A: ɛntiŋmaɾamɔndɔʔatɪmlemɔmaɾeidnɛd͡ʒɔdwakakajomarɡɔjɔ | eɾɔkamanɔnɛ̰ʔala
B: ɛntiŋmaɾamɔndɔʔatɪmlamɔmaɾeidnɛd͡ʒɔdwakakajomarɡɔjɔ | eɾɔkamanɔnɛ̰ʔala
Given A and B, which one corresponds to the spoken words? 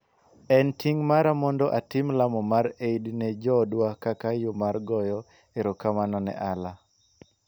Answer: B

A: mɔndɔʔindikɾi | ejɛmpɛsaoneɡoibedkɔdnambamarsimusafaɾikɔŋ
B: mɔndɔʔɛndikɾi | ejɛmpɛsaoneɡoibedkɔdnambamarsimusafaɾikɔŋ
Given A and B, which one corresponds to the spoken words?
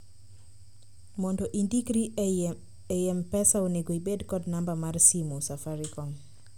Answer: A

